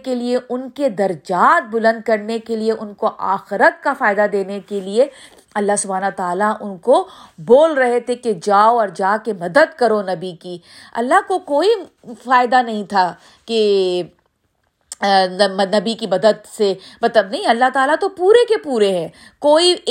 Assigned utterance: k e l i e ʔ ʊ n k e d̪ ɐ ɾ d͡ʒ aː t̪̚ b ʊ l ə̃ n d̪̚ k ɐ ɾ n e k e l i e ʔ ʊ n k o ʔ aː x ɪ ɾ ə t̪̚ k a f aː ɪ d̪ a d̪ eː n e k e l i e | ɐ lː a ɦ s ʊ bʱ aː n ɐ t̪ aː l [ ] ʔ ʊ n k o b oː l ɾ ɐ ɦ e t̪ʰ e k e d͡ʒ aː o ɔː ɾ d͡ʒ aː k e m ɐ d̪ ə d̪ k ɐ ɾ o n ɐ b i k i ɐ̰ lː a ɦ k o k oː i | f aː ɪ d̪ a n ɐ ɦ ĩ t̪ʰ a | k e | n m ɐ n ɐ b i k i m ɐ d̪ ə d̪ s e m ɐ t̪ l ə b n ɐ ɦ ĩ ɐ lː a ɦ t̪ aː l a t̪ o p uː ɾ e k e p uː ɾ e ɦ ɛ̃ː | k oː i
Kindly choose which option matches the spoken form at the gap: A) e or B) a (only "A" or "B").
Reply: B